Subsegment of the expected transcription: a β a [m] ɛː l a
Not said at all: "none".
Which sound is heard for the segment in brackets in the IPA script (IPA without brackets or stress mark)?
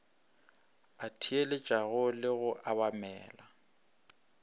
m